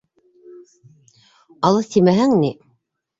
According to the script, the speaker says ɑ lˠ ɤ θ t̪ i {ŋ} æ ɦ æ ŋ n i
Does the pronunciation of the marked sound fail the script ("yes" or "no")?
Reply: yes